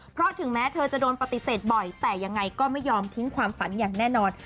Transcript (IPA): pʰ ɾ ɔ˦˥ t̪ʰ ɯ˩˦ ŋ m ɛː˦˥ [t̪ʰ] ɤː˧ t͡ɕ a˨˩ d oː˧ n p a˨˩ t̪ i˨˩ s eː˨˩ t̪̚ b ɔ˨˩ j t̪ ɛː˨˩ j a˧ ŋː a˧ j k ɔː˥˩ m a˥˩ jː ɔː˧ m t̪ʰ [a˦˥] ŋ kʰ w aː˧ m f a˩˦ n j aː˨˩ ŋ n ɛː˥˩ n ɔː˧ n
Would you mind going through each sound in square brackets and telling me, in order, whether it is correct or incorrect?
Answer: correct, incorrect: i˦˥

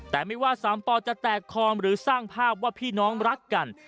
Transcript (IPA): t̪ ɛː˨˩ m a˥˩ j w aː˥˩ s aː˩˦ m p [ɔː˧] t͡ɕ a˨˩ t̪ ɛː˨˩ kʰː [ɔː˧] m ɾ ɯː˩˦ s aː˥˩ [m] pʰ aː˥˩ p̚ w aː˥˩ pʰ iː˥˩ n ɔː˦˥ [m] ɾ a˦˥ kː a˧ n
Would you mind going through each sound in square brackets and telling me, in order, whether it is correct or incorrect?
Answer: correct, correct, incorrect: ŋ, incorrect: ŋ

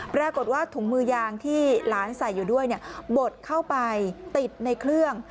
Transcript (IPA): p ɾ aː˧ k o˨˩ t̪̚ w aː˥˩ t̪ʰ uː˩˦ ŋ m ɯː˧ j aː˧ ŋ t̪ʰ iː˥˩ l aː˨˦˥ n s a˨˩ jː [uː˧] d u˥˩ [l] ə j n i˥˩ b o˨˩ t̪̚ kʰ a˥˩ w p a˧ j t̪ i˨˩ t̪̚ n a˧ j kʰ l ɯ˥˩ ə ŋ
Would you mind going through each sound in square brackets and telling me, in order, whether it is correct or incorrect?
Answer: incorrect: uː˨˩, incorrect: none

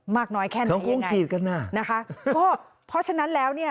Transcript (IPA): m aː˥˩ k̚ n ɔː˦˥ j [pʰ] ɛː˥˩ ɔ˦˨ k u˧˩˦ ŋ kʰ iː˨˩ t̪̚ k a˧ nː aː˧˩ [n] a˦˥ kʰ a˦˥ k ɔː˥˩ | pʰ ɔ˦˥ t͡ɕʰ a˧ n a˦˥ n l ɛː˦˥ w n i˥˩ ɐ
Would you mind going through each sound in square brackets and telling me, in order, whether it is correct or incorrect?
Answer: incorrect: kʰ, correct

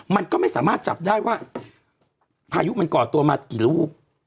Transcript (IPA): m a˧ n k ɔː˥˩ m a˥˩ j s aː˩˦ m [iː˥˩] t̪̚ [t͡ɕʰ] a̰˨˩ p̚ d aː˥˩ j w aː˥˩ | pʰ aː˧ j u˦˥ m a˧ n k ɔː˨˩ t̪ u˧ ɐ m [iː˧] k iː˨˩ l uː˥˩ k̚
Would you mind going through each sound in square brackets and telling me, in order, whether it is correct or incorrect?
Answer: incorrect: aː˥˩, incorrect: t͡ɕ, incorrect: aː˧

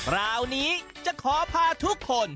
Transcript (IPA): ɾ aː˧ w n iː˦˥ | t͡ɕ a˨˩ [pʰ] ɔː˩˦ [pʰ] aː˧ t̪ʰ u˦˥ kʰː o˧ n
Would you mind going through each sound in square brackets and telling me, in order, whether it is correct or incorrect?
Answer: incorrect: kʰ, correct

